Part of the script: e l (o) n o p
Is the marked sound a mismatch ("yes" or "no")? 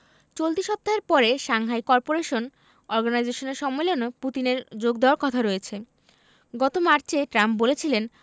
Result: no